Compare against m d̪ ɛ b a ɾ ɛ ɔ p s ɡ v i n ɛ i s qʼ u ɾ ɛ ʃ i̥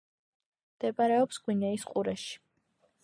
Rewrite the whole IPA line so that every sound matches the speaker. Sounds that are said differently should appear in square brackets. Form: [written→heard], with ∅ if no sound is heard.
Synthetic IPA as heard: m d̪ ɛ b a ɾ ɛ ɔ p s ɡ [v→w] i n ɛ i s qʼ u ɾ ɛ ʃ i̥